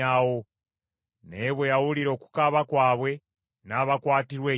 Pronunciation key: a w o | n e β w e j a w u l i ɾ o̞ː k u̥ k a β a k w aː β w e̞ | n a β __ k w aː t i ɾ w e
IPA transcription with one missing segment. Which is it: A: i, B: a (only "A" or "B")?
B